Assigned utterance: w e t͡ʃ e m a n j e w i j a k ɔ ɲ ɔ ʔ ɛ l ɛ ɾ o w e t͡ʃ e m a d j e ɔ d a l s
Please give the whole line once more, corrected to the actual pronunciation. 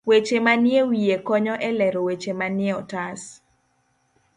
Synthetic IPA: w e t͡ʃ e m a n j e w i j e k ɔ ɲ ɔ ʔ ɛ l ɛ ɾ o w e t͡ʃ e m a n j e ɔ t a s